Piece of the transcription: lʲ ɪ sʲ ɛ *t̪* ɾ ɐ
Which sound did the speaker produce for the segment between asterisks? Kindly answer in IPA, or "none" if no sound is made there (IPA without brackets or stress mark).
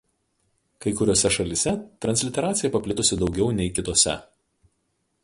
t̪